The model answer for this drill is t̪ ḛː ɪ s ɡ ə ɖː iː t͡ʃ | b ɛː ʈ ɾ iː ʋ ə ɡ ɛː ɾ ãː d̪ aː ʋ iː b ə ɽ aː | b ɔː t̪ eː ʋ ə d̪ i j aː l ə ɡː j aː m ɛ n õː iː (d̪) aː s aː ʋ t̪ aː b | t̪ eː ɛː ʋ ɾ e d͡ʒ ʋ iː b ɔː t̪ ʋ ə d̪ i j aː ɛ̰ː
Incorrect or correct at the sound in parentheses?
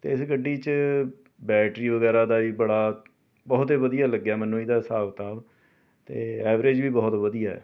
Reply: correct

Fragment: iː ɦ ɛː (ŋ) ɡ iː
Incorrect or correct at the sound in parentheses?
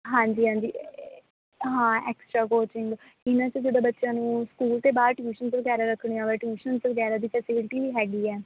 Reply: incorrect: none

